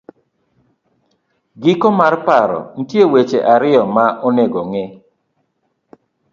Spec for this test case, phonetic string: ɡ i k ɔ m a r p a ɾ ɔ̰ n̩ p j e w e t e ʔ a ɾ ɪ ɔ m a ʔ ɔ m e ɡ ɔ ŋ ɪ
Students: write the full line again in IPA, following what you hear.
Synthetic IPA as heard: ɡ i k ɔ m a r p a ɾ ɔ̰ n̩ t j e w e t͡ʃ e ʔ a ɾ ɪ ɔ m a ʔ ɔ n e ɡ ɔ ŋ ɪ